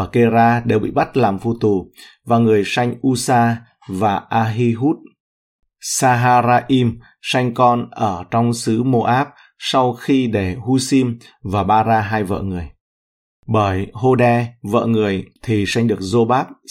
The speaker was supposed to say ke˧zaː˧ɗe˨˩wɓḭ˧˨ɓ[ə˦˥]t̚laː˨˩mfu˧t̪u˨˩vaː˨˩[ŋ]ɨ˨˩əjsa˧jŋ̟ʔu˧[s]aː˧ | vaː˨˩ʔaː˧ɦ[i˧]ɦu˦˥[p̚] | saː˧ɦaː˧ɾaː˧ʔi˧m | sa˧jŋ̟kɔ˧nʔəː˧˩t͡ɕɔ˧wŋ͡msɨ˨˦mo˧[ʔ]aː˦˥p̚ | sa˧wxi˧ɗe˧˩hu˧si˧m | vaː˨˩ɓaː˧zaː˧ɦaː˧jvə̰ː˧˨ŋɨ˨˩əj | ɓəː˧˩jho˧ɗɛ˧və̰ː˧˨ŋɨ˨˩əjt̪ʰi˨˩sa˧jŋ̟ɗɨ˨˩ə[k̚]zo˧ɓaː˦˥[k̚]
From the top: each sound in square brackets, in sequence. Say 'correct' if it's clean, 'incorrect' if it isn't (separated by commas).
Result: incorrect, correct, correct, correct, incorrect, correct, correct, incorrect